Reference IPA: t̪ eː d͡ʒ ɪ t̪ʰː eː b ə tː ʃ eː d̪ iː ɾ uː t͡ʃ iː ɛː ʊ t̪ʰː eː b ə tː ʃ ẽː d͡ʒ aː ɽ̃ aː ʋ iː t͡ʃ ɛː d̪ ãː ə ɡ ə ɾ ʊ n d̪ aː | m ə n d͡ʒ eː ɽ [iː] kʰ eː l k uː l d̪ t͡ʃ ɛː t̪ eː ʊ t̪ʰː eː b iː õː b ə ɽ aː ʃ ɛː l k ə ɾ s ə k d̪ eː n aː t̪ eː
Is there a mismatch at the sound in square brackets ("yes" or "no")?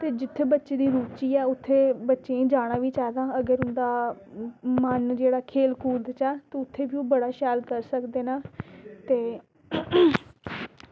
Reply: yes